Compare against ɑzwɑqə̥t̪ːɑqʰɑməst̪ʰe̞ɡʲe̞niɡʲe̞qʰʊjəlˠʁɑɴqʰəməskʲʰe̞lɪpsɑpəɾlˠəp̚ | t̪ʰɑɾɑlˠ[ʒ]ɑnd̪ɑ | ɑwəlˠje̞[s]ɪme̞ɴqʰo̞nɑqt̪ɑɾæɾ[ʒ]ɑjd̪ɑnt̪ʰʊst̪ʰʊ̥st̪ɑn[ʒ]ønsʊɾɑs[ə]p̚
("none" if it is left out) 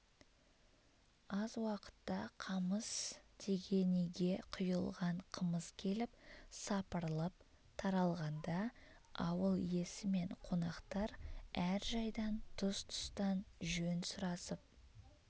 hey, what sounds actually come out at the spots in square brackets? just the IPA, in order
ʁ, s, ʒ, ʒ, ə

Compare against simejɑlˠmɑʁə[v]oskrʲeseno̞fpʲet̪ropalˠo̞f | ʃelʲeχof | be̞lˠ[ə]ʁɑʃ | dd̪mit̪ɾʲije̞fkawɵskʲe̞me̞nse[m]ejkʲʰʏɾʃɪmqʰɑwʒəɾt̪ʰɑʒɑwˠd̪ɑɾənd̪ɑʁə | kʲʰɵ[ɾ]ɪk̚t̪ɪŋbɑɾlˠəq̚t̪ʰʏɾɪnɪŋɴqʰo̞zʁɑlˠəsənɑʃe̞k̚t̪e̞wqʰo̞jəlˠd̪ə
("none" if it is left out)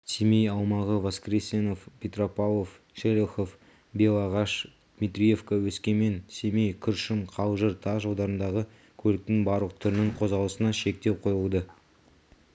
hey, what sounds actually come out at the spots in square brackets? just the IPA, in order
v, ɑ, m, l

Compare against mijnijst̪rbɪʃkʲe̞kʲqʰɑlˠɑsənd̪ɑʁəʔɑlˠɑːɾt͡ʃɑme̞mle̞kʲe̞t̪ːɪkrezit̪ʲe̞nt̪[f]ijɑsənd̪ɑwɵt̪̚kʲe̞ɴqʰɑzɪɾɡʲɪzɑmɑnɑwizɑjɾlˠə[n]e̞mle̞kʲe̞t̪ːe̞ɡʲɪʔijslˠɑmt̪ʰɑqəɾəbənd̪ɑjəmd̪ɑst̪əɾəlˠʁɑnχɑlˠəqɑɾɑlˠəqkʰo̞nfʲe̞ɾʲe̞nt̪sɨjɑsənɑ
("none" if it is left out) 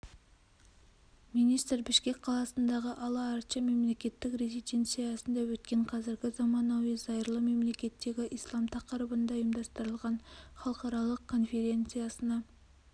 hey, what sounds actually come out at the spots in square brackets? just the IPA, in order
s, m

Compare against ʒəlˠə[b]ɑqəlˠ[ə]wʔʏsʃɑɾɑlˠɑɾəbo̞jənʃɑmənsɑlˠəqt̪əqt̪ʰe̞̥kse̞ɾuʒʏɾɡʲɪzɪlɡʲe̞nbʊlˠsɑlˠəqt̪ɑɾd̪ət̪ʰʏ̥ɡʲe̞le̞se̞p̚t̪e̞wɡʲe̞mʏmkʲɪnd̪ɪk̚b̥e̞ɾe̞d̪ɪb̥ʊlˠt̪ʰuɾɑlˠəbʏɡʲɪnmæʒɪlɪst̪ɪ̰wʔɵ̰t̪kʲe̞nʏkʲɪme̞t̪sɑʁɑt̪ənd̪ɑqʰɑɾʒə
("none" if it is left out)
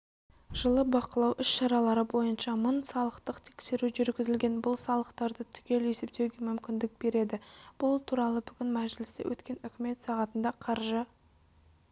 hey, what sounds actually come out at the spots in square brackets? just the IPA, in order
b, ɑ

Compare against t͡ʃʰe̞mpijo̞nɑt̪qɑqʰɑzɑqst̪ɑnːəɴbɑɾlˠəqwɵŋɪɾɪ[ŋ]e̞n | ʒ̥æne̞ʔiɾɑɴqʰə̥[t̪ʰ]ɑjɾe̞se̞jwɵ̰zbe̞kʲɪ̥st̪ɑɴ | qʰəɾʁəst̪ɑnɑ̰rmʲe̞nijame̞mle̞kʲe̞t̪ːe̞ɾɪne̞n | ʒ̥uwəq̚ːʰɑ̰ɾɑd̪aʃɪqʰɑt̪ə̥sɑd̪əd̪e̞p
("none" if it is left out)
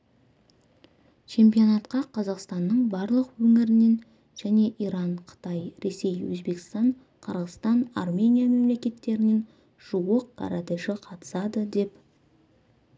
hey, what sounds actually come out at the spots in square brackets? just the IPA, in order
n, t̪

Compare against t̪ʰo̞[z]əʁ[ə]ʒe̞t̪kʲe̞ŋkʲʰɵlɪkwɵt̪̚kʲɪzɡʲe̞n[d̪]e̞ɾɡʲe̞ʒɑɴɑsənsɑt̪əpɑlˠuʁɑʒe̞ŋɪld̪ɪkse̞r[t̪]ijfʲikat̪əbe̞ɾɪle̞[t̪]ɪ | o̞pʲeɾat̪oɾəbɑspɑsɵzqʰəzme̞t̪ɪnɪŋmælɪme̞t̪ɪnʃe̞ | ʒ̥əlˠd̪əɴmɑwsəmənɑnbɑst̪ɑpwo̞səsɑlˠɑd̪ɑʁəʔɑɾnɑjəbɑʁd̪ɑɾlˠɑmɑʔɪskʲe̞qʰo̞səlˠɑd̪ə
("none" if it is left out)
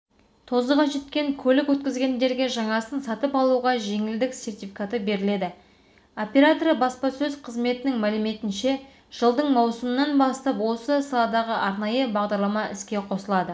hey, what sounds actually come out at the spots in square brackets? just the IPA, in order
z, ɑ, d̪, t̪, d̪

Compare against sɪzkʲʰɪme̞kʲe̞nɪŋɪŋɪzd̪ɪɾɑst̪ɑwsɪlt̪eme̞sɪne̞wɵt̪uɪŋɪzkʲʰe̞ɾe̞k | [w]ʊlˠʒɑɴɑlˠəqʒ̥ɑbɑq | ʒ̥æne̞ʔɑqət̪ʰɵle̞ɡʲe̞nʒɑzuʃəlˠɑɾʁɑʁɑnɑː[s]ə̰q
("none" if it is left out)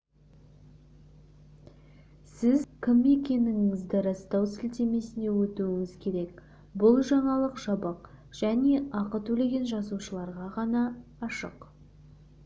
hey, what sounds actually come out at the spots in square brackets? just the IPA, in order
b, ʃ

